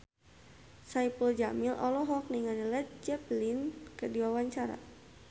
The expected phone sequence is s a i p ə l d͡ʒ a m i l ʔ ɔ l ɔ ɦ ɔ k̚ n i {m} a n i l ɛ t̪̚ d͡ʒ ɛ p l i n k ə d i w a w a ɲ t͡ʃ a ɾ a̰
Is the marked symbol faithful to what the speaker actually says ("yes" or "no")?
no